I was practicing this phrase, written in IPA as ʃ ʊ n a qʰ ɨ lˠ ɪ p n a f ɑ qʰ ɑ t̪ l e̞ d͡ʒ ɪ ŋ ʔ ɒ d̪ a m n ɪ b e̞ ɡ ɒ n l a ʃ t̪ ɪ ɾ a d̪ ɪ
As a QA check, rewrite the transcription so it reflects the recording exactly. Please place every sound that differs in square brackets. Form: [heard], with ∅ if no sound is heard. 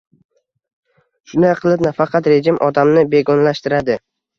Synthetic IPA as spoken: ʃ ʊ n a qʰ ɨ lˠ ɪ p n a f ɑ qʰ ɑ t̪ [ɾ] e̞ d͡ʒ ɪ [m] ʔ ɒ d̪ a m n ɪ b e̞ ɡ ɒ n l a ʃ t̪ ɪ ɾ a d̪ ɪ